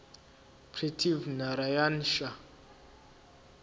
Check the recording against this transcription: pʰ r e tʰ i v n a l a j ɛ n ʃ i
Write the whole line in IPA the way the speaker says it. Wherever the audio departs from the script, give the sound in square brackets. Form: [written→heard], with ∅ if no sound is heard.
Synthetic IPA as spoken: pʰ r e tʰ i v n a [l→ɾ] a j [ɛ→a] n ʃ [i→a]